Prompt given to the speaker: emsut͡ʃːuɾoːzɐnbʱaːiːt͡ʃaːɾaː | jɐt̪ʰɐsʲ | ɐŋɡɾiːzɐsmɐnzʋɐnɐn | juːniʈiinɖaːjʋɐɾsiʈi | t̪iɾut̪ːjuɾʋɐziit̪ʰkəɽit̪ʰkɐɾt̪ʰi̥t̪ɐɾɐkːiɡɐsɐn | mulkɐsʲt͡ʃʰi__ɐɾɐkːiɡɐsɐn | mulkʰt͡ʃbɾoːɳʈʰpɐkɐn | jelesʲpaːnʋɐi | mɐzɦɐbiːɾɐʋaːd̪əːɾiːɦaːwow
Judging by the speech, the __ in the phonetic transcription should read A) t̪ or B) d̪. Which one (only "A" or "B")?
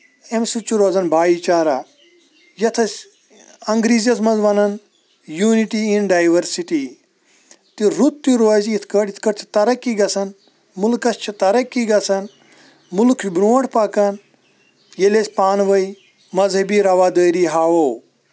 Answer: A